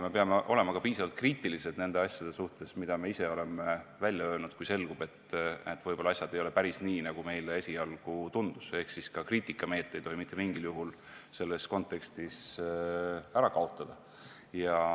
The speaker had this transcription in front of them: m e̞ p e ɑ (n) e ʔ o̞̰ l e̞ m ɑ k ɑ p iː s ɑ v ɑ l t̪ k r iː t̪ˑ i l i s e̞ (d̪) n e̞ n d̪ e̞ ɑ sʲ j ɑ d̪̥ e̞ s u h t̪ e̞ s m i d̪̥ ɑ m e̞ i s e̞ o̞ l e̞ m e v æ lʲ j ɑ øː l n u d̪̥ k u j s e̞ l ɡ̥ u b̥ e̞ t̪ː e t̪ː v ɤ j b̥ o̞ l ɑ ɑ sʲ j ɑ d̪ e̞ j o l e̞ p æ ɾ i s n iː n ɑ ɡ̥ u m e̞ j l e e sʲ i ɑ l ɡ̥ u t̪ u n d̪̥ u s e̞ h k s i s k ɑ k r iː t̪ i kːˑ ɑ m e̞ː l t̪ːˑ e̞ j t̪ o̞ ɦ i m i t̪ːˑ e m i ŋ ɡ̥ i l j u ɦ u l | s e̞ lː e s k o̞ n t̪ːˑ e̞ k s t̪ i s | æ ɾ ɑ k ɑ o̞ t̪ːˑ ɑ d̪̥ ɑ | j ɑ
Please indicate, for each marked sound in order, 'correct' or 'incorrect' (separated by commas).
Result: incorrect, correct